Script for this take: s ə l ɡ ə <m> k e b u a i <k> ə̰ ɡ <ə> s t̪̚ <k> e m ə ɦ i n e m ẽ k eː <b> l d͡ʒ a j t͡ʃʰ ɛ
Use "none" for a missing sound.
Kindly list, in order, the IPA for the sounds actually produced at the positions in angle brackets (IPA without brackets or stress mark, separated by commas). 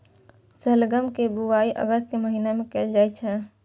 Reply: m, ʔ, ə, k, none